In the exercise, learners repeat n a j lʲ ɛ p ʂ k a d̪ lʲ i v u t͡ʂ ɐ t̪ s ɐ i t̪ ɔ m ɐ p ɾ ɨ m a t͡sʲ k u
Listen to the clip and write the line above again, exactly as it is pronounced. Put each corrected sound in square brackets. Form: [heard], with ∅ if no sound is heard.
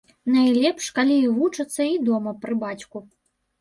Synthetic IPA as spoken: n a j lʲ ɛ p ʂ k a [∅] lʲ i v u t͡ʂ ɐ t̪ [sː] ɐ i [d̪] ɔ m ɐ p ɾ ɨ [b] a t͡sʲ k u